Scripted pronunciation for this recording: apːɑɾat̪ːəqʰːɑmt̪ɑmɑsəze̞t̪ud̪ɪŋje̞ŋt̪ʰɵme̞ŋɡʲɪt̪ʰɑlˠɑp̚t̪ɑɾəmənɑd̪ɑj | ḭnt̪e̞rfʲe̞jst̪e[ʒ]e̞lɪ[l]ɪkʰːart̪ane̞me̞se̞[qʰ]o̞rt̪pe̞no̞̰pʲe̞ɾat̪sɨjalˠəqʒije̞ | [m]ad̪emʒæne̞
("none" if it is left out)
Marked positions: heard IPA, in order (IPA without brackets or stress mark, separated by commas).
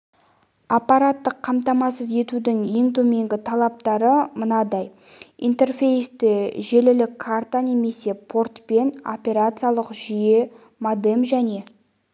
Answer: ʒ, l, pʰ, m